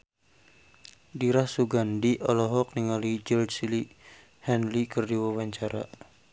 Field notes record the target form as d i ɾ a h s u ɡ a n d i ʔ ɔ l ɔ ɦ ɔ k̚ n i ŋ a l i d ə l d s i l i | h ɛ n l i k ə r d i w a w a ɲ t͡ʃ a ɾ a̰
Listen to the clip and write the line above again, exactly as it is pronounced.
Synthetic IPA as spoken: d i ɾ a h s u ɡ a n d i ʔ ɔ l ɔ ɦ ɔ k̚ n i ŋ a l i d͡ʒ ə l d s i l i | h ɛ n l i k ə r d i w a w a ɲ t͡ʃ a ɾ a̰